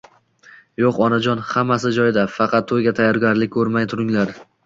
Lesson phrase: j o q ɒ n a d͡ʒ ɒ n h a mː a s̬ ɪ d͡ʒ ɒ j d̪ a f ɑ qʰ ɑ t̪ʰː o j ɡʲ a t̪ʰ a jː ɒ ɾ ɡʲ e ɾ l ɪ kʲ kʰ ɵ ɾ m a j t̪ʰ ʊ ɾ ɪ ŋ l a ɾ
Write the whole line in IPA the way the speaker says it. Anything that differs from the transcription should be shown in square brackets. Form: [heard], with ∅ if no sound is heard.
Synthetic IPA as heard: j o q ɒ n a d͡ʒ ɒ n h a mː a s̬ ɪ d͡ʒ ɒ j d̪ a f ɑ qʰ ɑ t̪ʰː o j ɡʲ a t̪ʰ a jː ɒ ɾ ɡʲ [a] ɾ l ɪ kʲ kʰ ɵ ɾ m a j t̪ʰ ʊ ɾ ɪ ŋ l a ɾ